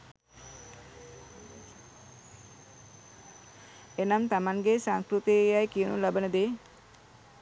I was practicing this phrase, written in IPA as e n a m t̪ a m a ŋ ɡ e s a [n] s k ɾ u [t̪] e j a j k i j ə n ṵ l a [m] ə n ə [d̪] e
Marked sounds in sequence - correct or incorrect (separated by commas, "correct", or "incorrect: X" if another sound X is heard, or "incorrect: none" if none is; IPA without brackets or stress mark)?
incorrect: ŋ, correct, incorrect: b, correct